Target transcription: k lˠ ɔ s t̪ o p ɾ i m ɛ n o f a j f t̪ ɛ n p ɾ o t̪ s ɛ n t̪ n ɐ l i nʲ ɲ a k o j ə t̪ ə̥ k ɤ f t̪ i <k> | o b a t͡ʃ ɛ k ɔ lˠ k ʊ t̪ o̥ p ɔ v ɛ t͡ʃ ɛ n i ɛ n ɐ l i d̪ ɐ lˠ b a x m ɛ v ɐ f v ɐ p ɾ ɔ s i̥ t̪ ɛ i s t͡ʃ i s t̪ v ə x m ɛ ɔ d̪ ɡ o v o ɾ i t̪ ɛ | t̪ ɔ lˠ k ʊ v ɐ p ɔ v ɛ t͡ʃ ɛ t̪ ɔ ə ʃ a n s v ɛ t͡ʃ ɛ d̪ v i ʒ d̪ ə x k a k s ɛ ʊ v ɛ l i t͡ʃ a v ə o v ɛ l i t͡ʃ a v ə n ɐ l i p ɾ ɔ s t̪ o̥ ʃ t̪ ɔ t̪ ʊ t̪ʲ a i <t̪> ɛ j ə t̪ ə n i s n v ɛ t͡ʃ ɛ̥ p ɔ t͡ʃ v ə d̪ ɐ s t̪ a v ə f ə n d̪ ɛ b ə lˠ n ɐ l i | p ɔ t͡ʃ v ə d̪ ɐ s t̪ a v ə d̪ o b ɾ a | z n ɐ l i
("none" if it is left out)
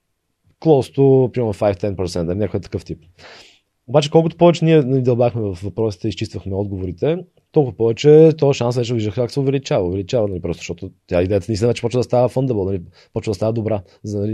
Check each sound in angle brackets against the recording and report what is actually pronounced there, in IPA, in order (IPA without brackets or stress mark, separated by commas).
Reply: p, d̪